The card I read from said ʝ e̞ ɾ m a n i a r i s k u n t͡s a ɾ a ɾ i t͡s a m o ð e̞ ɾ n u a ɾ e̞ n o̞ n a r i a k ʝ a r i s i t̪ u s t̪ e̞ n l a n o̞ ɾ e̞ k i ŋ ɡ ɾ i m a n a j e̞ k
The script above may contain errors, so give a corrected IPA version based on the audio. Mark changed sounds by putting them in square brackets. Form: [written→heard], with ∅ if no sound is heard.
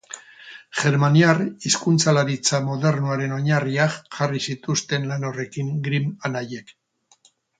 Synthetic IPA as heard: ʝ e̞ ɾ m a n i a r i s k u n t͡s a [ɾ→l] a ɾ i t͡s a m o ð e̞ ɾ n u a ɾ e̞ n o̞ [n→ɲ] a r i a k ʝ a r i s i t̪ u s t̪ e̞ n l a n o̞ [ɾ→r] e̞ k i ŋ ɡ ɾ i m a n a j e̞ k

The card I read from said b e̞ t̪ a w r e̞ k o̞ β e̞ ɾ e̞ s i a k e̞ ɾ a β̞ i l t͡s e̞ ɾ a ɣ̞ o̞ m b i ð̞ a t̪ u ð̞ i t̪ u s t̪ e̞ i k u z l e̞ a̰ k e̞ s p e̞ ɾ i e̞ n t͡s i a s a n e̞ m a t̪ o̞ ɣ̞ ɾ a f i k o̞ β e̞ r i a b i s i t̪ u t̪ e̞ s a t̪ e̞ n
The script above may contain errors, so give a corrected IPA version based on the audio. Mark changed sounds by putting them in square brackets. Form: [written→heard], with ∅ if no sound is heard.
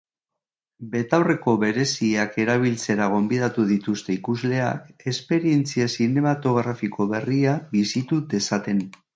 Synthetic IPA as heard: b e̞ t̪ a w r e̞ k o̞ β e̞ ɾ e̞ s i a k e̞ ɾ a β̞ i l t͡s e̞ ɾ a ɣ̞ o̞ m b i ð̞ a t̪ u ð̞ i t̪ u s t̪ e̞ i k u z l e̞ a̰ k e̞ s p e̞ ɾ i e̞ n t͡s i a s [a→i] n e̞ m a t̪ o̞ ɣ̞ ɾ a f i k o̞ β e̞ r i a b i s i t̪ u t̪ e̞ s a t̪ e̞ n

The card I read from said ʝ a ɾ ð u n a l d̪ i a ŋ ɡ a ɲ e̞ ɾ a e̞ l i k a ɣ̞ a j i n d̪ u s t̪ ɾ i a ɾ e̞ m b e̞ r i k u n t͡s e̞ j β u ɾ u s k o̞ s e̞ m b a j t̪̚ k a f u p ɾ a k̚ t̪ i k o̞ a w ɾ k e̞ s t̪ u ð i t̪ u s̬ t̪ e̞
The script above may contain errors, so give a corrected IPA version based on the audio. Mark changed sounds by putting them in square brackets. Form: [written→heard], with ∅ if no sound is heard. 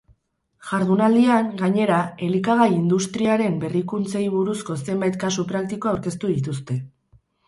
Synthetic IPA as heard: ʝ a ɾ ð u n a l d̪ i a ŋ ɡ a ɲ e̞ ɾ a e̞ l i k a ɣ̞ a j i n d̪ u s t̪ ɾ i a ɾ e̞ m b e̞ r i k u n t͡s e̞ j β u ɾ u s k o̞ s e̞ m b a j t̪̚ k a [f→s] u p ɾ a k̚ t̪ i k o̞ a w ɾ k e̞ s t̪ u ð i t̪ u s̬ t̪ e̞

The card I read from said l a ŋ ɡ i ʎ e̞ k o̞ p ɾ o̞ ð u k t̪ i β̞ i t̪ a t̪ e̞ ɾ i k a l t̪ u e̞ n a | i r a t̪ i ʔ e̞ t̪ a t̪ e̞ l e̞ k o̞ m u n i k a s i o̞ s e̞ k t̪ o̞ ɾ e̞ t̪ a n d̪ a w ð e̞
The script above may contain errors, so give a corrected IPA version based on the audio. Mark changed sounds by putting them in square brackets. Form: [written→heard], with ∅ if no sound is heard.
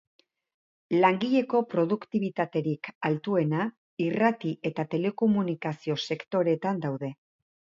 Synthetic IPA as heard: l a ŋ ɡ i ʎ e̞ k o̞ p ɾ o̞ ð u k t̪ i β̞ i t̪ a t̪ e̞ ɾ i k a l t̪ u e̞ n a | i r a t̪ i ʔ e̞ t̪ a t̪ e̞ l e̞ k o̞ m u n i k a s i o̞ s e̞ k t̪ o̞ ɾ e̞ t̪ a n d̪ a w ð e̞

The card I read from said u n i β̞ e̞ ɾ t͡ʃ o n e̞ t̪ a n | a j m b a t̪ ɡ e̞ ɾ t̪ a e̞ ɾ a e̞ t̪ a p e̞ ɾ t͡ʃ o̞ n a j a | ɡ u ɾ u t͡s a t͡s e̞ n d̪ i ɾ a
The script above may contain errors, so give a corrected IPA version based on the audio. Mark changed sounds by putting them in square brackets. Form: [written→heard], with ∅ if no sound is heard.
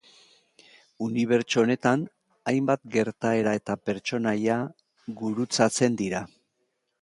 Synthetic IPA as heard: u n i β̞ e̞ ɾ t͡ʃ o n e̞ t̪ a n | a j m b a t̪ ɡ e̞ ɾ t̪ a e̞ ɾ a e̞ t̪ a p e̞ ɾ t͡ʃ o̞ n a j a | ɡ u ɾ u t͡s a t͡s e̞ n d̪ i ɾ a

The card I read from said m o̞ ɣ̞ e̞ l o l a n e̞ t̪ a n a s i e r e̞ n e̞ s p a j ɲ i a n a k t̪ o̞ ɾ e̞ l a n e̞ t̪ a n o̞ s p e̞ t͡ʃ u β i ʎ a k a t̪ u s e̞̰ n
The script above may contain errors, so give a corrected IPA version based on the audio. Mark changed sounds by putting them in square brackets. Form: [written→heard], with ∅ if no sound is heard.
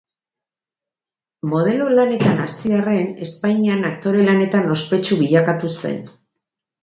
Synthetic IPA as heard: m o̞ [ɣ̞→ð̞] e̞ l o l a n e̞ t̪ a n a s i [e→a] r e̞ n e̞ s p a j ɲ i a n a k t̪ o̞ ɾ e̞ l a n e̞ t̪ a n o̞ s p e̞ t͡ʃ u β i ʎ a k a t̪ u s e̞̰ n

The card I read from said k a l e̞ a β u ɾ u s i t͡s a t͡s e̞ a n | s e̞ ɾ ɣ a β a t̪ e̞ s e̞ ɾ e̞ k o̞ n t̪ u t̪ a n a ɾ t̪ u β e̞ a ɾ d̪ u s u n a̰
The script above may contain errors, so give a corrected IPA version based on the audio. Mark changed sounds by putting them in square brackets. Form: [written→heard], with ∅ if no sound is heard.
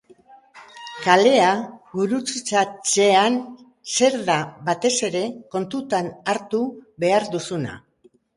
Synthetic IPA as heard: k a l e̞ a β u ɾ u [s→t͡s] i t͡s a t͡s e̞ a n | s e̞ ɾ [ɣ→ð] a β a t̪ e̞ s e̞ ɾ e̞ k o̞ n t̪ u t̪ a n a ɾ t̪ u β e̞ a ɾ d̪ u s u n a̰

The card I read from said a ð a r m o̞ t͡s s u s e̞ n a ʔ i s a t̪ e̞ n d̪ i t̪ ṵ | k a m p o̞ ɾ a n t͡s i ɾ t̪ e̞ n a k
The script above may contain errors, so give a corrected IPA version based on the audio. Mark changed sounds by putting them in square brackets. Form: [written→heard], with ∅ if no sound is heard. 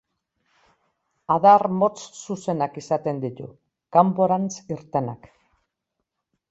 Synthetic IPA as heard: a ð a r m o̞ t͡s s u s e̞ n a [ʔ→k] i s a t̪ e̞ n d̪ i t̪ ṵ | k a m p o̞ ɾ a n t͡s i ɾ t̪ e̞ n a k

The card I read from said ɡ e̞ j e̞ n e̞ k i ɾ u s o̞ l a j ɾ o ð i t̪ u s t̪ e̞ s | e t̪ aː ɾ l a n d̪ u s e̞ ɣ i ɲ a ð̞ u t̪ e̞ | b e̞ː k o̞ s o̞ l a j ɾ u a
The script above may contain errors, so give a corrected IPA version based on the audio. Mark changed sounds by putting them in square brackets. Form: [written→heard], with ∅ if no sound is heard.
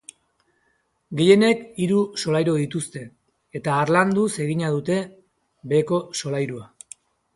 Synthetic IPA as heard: ɡ e̞ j e̞ n e̞ k i ɾ u s o̞ l a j ɾ o ð i t̪ u s t̪ e̞ [s→∅] | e t̪ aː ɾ l a n d̪ u s e̞ ɣ i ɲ a ð̞ u t̪ e̞ | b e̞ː k o̞ s o̞ l a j ɾ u a

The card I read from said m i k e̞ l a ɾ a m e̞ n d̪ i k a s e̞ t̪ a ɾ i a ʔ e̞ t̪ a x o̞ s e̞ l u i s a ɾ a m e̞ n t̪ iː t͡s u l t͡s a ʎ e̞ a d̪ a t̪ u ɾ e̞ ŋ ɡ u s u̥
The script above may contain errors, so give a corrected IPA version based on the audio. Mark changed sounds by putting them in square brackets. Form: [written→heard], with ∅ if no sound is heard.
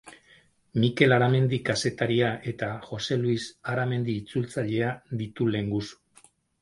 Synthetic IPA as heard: m i k e̞ l a ɾ a m e̞ n d̪ i k a s e̞ t̪ a ɾ i a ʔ e̞ t̪ a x o̞ s e̞ l u i s a ɾ a m e̞ n [t̪→d̪] iː t͡s u l t͡s a ʎ e̞ a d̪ [a→i] t̪ u [ɾ→l] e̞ ŋ ɡ u s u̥

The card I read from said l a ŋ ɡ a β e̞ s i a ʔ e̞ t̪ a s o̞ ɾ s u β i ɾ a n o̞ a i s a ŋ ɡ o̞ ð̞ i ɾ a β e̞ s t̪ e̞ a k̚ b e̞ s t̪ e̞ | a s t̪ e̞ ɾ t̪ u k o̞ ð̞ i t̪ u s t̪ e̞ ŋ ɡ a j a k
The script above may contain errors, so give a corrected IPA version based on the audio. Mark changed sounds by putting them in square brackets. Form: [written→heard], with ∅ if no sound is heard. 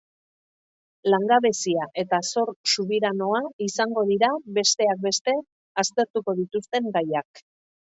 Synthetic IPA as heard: l a ŋ ɡ a β e̞ s i a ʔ e̞ t̪ a s o̞ ɾ s u β i ɾ a n o̞ a i s a ŋ ɡ o̞ ð̞ i ɾ a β e̞ s t̪ e̞ a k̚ b e̞ s t̪ e̞ | a s t̪ e̞ ɾ t̪ u k o̞ ð̞ i t̪ u s t̪ e̞ ŋ ɡ a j a k

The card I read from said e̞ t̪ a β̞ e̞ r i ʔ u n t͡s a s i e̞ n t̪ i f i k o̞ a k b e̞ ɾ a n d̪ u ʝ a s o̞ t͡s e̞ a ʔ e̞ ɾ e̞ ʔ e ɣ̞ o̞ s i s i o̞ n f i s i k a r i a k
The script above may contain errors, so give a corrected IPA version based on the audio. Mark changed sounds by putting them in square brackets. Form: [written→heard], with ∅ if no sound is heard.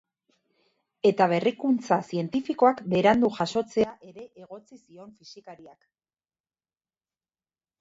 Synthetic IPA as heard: e̞ t̪ a β̞ e̞ r i [ʔ→k] u n t͡s a s i e̞ n t̪ i f i k o̞ a k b e̞ ɾ a n d̪ u ʝ a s o̞ t͡s e̞ a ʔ e̞ ɾ e̞ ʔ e ɣ̞ o̞ [s→t͡s] i s i o̞ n f i s i k a [r→ɾ] i a k

